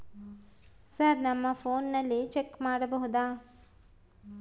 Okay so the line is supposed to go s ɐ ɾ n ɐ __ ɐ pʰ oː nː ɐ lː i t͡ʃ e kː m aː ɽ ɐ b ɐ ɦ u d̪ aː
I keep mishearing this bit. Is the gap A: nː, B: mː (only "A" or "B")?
B